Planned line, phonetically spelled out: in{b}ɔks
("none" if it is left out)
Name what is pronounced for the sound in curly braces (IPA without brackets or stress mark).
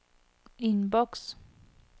b